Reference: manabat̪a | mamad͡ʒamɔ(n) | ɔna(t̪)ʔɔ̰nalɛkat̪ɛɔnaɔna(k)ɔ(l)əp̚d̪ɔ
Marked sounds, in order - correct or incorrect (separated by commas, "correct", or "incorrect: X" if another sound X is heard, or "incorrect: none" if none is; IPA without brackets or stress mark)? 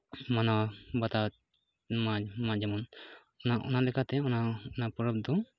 correct, incorrect: none, incorrect: p, incorrect: ɾ